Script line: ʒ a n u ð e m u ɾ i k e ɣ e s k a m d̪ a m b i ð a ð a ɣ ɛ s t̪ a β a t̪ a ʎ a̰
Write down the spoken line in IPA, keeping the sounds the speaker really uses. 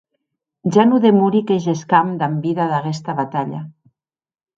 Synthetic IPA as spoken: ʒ a n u ð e m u ɾ i k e ʒ e s k a m d̪ a m b i ð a ð a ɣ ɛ s t̪ a β a t̪ a ʎ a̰